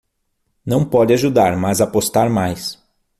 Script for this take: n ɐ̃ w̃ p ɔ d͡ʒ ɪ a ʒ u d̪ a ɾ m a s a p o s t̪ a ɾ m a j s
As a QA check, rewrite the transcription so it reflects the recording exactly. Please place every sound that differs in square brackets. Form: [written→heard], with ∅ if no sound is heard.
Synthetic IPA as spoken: n ɐ̃ w̃ p ɔ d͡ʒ ɪ a ʒ u d̪ a ɾ m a [s→z] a p o s t̪ a ɾ m a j s